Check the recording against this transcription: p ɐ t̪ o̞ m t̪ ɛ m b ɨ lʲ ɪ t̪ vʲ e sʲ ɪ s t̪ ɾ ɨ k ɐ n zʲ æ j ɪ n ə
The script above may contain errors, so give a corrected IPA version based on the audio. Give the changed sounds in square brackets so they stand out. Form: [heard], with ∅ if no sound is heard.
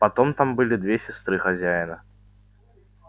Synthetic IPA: p ɐ t̪ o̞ m t̪ [a] m b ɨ lʲ ɪ [d̪] vʲ e sʲ ɪ s t̪ ɾ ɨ [x] ɐ [∅] zʲ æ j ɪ n ə